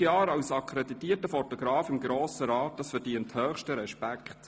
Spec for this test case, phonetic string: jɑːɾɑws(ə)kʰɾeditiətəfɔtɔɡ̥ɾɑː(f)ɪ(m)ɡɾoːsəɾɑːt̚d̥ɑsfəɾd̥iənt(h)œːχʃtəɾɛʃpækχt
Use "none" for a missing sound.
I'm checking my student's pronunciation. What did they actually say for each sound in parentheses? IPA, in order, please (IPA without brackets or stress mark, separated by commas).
ɑ, f, m, h